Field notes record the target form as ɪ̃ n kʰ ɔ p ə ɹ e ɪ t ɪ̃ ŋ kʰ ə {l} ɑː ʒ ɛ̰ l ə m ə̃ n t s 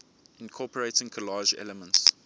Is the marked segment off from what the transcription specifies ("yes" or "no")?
no